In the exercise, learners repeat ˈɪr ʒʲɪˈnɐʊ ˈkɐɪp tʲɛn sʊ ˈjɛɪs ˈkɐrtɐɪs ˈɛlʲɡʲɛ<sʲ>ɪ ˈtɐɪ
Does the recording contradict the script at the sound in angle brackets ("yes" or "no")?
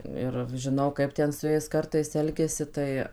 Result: no